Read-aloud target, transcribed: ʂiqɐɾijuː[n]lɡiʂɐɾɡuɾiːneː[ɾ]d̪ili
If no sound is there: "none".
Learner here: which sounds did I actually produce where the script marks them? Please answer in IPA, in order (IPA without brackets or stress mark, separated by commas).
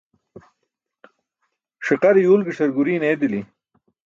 none, none